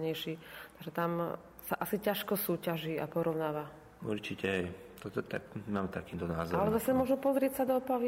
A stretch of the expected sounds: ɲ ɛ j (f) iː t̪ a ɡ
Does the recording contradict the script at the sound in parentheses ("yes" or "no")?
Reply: yes